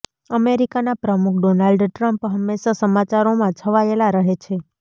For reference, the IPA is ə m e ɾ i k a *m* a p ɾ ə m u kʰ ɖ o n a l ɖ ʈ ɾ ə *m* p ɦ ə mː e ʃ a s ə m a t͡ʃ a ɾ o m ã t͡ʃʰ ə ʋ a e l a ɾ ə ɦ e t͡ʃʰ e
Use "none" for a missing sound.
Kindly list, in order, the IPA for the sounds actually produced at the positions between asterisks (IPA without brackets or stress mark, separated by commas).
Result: n, m